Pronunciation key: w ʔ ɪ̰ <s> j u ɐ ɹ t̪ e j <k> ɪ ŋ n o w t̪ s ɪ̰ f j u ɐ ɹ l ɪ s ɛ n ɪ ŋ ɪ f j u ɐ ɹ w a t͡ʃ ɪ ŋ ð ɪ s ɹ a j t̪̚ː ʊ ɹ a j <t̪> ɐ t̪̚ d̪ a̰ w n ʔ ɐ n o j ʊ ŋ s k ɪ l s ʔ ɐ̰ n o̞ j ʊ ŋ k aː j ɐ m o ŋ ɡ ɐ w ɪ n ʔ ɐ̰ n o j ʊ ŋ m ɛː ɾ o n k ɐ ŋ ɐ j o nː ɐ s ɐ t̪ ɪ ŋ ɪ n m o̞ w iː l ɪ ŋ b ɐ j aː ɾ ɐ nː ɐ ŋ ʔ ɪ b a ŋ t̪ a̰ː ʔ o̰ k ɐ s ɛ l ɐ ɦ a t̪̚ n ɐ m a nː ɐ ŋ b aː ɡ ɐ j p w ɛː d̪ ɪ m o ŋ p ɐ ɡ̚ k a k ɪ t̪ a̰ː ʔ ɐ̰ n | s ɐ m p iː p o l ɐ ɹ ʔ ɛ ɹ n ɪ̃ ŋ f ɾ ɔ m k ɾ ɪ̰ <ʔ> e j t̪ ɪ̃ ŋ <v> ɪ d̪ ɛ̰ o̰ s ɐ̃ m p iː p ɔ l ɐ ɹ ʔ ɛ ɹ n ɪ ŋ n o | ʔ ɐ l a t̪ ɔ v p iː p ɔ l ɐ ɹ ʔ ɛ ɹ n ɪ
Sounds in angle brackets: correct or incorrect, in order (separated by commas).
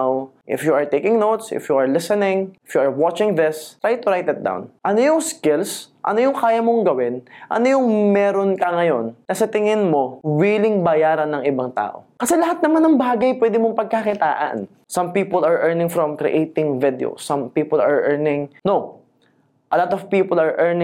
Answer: incorrect, correct, correct, correct, correct